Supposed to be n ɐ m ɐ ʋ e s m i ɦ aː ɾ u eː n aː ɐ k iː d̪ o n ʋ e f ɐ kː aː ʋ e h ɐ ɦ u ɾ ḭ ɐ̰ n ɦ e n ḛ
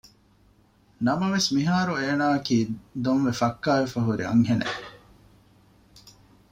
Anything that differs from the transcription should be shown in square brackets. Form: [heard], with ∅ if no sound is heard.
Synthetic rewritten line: n ɐ m ɐ ʋ e s m i ɦ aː ɾ u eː n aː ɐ k iː d̪ o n ʋ e f ɐ kː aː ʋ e [f] ɐ ɦ u ɾ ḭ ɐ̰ [ŋ] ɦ e n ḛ

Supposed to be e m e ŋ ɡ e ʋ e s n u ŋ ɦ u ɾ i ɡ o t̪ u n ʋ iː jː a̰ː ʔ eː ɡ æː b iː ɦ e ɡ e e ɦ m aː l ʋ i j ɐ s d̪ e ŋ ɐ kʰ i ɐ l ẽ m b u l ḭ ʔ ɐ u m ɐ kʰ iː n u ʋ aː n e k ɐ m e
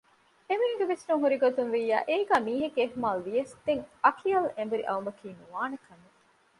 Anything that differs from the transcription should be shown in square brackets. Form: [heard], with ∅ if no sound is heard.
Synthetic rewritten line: e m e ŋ ɡ e ʋ e s n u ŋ ɦ u ɾ i ɡ o t̪ u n ʋ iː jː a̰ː ʔ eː ɡ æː [m] iː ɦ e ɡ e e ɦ m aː l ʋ i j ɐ s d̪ e ŋ ɐ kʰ i ɐ l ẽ m b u [ɾ] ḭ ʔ ɐ u m ɐ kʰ iː n u ʋ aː n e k ɐ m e

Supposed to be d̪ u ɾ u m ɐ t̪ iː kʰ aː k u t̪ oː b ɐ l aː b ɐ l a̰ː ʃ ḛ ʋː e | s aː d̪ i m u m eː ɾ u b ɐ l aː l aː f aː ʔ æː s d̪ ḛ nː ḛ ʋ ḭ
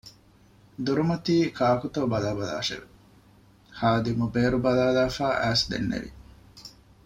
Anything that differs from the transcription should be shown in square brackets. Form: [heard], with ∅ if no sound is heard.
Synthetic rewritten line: d̪ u ɾ u m ɐ t̪ iː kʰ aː k u t̪ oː b ɐ l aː b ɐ l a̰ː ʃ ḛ [ʋ] e | [h] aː d̪ i m u [b] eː ɾ u b ɐ l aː l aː f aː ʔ æː s d̪ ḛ nː ḛ ʋ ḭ

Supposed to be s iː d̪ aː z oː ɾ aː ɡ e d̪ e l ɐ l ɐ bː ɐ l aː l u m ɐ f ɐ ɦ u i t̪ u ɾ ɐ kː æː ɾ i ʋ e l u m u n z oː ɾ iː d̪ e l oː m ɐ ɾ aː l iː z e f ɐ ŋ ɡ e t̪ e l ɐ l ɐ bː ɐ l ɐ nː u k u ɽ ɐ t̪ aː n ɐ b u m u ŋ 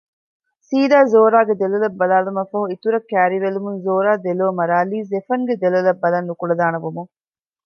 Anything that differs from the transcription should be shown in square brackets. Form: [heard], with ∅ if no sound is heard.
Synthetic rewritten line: s iː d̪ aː z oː ɾ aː ɡ e d̪ e l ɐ l ɐ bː ɐ l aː l u m ɐ f ɐ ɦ u i t̪ u ɾ ɐ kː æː ɾ i ʋ e l u m u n z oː ɾ [aː] d̪ e l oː m ɐ ɾ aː l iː z e f ɐ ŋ ɡ e [d̪] e l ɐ l ɐ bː ɐ l ɐ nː u k u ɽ ɐ [d̪] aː n ɐ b u m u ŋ

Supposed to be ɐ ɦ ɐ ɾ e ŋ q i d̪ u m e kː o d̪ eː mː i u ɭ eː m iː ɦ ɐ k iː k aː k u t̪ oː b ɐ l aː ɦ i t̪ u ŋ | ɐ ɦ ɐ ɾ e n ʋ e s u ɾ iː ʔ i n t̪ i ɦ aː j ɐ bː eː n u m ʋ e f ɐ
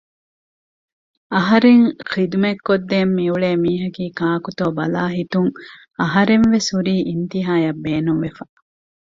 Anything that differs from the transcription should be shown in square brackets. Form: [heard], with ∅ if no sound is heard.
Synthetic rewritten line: ɐ ɦ ɐ ɾ e ŋ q i d̪ u m e kː o [d̪ː] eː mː i u ɭ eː m iː ɦ ɐ k iː k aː k u t̪ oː b ɐ l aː ɦ i t̪ u ŋ | ɐ ɦ ɐ ɾ e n ʋ e s u ɾ iː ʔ i n t̪ i ɦ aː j ɐ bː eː n u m ʋ e f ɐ

